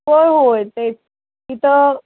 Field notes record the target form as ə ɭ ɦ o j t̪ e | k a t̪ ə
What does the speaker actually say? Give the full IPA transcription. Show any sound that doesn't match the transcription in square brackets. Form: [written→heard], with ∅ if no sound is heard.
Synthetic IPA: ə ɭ ɦ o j t̪ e | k [a→i] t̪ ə